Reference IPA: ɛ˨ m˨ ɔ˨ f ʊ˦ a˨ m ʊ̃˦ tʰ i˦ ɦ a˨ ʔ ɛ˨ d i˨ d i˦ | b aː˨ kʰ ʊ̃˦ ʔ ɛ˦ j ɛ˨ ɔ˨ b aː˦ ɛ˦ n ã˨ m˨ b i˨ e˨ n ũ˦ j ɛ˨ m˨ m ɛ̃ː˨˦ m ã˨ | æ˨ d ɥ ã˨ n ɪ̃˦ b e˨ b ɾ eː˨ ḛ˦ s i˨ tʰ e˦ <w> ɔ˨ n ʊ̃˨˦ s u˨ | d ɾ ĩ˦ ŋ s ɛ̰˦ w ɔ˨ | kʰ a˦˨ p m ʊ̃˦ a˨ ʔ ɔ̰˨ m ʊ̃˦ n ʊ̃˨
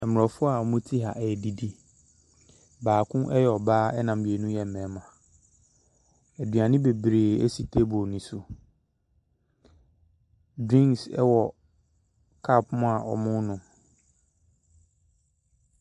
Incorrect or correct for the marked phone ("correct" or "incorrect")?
incorrect